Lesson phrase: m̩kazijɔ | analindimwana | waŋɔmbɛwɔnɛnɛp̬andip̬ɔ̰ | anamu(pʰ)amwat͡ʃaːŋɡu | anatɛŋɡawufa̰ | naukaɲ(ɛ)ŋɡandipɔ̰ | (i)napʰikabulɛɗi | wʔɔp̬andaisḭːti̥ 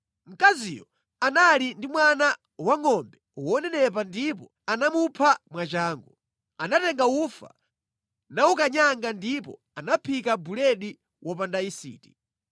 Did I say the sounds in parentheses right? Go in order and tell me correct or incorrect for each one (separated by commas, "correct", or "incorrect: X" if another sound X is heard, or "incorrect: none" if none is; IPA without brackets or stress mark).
correct, incorrect: a, incorrect: a